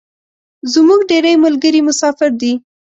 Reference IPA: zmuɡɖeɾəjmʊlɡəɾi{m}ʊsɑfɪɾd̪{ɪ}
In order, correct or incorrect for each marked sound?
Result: correct, incorrect: i

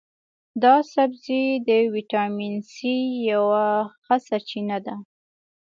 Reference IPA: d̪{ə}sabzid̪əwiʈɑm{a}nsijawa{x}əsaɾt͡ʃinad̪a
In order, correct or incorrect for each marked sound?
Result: incorrect: ɑ, incorrect: i, correct

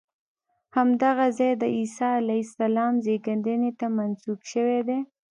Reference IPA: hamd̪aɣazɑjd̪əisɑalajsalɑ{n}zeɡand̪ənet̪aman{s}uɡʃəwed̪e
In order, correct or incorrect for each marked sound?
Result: incorrect: m, correct

